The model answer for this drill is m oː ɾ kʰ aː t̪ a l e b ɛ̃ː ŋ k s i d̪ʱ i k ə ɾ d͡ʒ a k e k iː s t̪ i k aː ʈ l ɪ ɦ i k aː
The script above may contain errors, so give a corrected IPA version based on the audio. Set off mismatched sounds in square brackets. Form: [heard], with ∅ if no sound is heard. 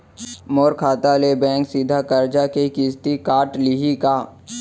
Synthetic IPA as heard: m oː ɾ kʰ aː t̪ a l e b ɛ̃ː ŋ k s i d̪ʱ [a] k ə ɾ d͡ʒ a k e k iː s t̪ i k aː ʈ l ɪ ɦ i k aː